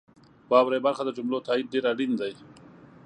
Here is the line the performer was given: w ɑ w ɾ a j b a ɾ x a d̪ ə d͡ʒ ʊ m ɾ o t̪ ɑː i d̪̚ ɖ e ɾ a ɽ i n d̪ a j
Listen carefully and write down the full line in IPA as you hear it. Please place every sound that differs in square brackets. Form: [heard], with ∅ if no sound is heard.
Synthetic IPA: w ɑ w ɾ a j b a ɾ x a d̪ ə d͡ʒ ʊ m [l] o t̪ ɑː i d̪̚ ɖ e ɾ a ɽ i n d̪ a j